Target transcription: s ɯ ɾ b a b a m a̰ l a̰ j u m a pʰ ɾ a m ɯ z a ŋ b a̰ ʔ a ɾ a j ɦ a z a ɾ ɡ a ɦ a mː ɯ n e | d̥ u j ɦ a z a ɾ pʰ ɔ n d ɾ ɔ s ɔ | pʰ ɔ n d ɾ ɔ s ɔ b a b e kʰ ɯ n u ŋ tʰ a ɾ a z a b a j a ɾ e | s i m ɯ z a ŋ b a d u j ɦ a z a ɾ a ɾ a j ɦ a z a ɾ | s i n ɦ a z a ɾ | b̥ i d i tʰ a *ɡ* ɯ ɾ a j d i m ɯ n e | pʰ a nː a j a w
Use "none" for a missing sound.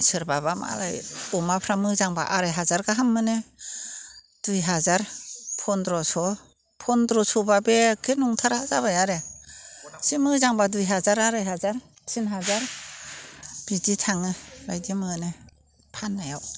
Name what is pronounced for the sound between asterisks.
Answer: ŋ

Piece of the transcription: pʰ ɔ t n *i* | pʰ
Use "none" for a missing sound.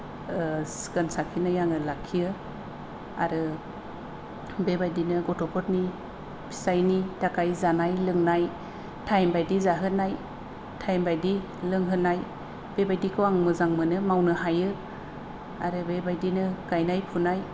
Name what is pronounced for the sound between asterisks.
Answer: i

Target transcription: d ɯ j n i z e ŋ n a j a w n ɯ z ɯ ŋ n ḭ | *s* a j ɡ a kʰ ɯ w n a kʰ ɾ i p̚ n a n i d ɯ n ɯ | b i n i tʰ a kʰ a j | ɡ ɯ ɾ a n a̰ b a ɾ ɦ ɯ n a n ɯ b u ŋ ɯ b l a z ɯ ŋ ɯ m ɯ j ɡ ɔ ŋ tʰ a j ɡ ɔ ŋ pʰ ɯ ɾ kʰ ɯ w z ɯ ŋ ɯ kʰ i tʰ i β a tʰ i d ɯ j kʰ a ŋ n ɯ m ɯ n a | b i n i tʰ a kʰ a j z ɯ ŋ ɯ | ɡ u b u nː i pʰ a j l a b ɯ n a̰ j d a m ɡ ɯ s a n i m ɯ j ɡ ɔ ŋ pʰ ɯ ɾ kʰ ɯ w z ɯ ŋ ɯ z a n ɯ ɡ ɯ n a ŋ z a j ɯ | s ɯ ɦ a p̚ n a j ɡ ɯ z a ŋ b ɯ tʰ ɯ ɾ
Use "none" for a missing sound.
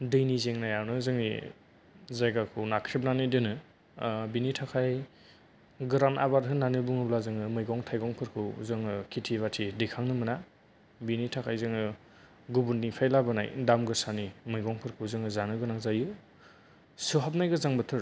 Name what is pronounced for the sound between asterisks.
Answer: z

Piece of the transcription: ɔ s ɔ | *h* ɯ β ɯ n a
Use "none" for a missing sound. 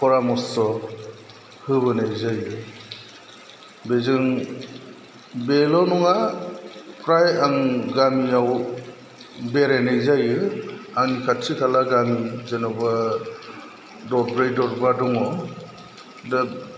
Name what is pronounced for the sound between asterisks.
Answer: h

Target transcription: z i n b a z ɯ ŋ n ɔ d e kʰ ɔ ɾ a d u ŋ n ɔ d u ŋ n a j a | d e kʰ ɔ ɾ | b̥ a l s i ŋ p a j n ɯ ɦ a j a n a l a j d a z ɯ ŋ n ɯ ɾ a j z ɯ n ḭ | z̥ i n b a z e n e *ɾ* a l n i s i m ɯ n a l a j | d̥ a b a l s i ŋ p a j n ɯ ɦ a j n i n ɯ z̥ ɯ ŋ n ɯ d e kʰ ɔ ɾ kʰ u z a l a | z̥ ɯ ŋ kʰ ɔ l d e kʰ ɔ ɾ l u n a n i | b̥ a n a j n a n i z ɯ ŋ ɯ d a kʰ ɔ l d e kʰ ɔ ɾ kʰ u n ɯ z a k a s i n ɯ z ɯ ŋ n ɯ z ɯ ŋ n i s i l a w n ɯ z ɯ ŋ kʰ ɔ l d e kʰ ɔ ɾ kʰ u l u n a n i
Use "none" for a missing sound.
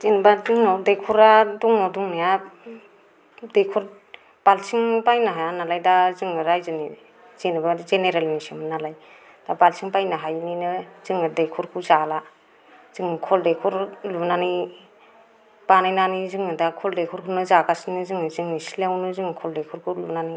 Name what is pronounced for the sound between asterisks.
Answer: ɾ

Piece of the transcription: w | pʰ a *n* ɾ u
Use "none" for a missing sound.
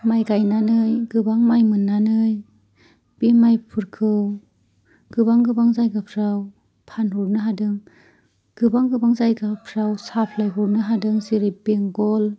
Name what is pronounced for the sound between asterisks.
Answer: n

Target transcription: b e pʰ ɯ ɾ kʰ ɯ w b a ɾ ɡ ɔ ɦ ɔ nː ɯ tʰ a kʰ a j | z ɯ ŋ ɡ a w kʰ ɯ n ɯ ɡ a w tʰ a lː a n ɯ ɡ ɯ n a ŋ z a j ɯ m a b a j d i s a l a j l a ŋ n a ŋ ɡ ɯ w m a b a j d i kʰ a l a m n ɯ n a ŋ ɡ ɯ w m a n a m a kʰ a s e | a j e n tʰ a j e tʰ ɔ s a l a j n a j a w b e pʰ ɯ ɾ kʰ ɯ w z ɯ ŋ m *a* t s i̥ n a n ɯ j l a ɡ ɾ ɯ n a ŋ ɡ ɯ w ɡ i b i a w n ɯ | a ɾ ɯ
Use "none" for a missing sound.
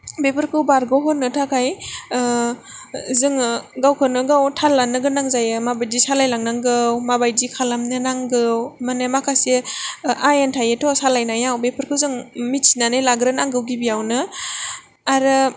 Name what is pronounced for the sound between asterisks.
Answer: i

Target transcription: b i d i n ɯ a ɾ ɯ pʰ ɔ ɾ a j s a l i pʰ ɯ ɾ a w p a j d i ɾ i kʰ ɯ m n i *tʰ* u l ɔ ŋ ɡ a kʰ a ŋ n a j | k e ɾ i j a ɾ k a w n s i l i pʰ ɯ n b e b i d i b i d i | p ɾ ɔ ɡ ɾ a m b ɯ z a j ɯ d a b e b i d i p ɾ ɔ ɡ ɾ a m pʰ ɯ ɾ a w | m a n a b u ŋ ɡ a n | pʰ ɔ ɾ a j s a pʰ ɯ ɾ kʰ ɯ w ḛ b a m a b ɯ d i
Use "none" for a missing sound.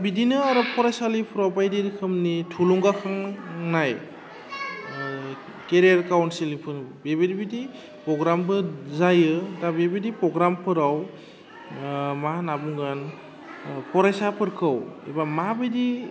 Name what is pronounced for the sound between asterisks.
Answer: tʰ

